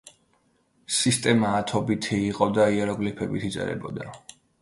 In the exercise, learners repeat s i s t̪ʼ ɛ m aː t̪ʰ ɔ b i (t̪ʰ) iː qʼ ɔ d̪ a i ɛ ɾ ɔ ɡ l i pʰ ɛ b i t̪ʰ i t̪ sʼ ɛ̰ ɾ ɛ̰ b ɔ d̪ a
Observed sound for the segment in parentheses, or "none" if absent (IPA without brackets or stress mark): t̪ʰ